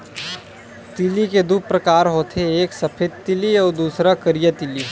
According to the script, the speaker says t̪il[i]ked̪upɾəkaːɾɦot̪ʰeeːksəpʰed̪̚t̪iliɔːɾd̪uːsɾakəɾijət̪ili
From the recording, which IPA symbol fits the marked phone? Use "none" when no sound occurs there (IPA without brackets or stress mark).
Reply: i